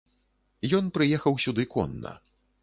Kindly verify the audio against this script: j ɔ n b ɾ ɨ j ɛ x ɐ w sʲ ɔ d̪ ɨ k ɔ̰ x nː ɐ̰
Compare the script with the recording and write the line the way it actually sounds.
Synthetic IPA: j ɔ n p ɾ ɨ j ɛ x ɐ w sʲ u d̪ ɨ k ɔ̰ nː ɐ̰